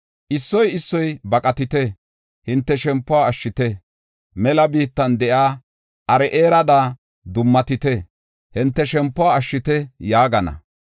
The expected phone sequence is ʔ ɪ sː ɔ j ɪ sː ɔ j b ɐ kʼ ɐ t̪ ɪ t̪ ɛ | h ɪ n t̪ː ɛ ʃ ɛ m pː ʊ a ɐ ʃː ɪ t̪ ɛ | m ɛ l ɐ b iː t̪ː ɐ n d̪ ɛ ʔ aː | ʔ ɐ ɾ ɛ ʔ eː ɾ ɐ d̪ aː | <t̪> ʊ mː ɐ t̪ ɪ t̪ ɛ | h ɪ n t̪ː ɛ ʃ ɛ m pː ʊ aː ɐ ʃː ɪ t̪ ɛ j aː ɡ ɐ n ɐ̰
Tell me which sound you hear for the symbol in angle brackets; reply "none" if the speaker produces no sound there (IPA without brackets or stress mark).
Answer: d̪